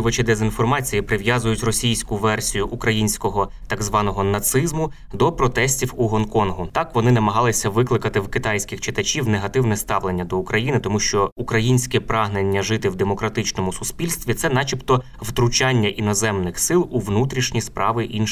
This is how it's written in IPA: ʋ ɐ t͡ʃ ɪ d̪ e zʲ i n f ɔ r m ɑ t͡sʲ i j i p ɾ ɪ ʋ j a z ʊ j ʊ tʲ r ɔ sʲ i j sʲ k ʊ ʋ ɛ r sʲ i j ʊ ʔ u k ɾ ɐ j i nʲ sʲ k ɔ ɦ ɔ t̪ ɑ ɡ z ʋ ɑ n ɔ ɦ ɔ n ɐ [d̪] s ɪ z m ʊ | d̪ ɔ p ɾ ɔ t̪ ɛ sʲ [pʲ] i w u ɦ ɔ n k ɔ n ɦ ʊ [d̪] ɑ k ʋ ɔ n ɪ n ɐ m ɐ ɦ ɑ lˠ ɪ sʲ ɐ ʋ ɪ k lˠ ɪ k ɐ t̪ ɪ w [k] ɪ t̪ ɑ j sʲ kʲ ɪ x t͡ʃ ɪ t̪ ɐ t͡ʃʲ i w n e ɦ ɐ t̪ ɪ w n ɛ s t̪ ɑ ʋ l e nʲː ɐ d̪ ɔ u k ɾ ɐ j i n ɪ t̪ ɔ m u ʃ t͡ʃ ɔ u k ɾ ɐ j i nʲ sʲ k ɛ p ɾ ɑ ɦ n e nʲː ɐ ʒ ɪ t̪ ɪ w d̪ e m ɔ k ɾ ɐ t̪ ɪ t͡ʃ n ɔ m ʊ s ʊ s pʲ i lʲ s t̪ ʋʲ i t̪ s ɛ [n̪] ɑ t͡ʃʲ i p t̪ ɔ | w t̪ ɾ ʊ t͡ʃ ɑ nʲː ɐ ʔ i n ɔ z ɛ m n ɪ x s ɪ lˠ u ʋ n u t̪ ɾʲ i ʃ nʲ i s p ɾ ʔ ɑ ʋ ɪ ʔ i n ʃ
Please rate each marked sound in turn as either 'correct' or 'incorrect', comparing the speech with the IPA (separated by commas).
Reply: incorrect, incorrect, incorrect, correct, correct